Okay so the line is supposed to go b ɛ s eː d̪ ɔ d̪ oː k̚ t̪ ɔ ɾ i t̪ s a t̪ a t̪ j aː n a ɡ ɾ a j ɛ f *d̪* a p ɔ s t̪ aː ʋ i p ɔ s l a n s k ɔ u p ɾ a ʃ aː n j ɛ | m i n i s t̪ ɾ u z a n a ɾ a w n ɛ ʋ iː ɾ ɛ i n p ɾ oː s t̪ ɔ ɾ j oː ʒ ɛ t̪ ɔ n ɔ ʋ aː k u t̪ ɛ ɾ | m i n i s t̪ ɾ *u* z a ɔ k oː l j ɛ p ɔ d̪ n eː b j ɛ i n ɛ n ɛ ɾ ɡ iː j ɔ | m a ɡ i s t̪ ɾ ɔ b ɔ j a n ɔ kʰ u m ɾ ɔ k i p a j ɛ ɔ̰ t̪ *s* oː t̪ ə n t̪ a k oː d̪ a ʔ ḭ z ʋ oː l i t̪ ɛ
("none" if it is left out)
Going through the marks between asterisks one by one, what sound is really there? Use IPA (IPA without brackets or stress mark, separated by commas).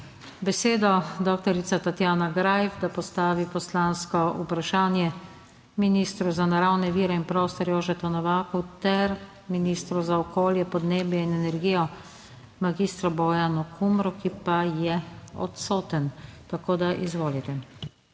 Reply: d̪, u, s